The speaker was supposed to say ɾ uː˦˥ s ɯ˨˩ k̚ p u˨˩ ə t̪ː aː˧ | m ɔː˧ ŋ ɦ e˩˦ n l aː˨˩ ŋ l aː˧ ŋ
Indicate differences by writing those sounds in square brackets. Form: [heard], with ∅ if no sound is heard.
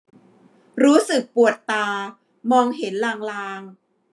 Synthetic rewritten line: ɾ uː˦˥ s ɯ˨˩ k̚ p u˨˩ ə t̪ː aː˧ | m ɔː˧ ŋ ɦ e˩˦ n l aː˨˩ ŋ l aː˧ ŋ